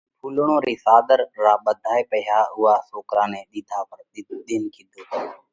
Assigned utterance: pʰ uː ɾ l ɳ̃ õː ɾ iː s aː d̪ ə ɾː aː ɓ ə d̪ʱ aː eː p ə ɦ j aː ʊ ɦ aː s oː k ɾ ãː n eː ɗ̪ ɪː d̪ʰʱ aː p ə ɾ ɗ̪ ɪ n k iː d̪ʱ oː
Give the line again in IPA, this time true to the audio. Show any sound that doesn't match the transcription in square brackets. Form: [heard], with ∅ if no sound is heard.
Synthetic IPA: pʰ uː [∅] l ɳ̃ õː ɾ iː s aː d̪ ə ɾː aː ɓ ə d̪ʱ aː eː p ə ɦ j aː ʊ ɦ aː s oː k ɾ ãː n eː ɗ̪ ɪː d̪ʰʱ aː p ə ɾ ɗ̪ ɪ n k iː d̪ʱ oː

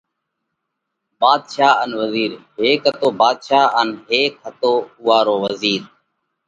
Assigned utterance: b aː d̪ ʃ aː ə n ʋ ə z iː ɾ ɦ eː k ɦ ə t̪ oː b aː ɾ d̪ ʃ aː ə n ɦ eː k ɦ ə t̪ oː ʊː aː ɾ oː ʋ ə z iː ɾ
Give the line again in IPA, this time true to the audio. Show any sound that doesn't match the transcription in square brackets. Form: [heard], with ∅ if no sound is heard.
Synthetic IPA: b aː d̪ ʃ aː ə n ʋ ə z iː ɾ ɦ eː k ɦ ə t̪ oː b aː [∅] d̪ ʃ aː ə n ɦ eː k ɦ ə t̪ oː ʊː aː ɾ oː ʋ ə z iː ɾ

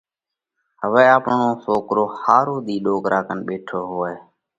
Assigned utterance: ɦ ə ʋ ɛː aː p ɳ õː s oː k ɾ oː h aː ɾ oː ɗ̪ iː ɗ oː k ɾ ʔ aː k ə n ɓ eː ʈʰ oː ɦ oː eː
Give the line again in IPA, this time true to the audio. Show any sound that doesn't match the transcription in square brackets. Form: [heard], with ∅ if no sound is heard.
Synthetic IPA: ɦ ə ʋ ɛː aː p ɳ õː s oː k ɾ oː h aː ɾ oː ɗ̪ iː ɗ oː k ɾ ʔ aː k ə n ɓ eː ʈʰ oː ɦ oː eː

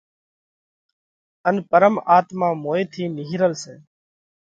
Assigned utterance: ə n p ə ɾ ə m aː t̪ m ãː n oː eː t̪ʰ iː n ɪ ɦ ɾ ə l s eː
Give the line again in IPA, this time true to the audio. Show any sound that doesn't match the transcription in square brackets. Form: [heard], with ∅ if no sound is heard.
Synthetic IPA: ə n p ə ɾ ə m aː t̪ m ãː [m] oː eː t̪ʰ iː n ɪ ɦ ɾ ə l s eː

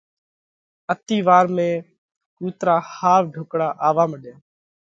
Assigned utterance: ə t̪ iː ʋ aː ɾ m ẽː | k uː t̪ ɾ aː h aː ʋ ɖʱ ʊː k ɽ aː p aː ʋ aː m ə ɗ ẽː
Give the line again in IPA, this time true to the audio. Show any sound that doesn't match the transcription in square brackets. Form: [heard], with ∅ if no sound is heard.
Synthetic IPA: ə t̪ iː ʋ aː ɾ m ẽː | k uː t̪ ɾ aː h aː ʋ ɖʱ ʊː k ɽ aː [ʔ] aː ʋ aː m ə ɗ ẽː

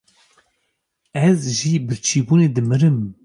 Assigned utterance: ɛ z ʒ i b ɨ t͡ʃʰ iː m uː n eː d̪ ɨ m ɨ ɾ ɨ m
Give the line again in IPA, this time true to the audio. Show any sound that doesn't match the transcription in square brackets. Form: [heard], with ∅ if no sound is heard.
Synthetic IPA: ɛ z ʒ i b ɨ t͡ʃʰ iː [b] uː n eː d̪ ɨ m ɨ ɾ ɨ m

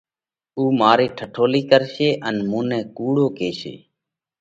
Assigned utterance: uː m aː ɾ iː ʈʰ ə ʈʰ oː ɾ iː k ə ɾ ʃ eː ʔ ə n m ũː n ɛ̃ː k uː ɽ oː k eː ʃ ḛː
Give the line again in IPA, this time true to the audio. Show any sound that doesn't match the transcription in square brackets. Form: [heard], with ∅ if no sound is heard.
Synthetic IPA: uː m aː ɾ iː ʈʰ ə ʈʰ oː [l] iː k ə ɾ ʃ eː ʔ ə n m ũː n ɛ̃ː k uː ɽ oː k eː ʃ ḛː

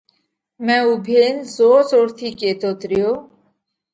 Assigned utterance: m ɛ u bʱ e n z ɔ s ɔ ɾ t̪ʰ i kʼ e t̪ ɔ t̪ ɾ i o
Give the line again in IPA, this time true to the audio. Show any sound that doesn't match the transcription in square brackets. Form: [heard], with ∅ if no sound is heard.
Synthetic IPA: m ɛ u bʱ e n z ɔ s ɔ ɾ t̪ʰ i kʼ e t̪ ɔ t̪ ɾ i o

